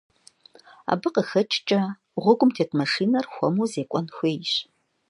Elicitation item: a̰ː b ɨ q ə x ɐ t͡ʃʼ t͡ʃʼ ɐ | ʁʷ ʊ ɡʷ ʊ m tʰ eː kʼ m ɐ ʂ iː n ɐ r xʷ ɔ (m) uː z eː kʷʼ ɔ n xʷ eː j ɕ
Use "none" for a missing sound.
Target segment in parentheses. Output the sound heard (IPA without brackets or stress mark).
m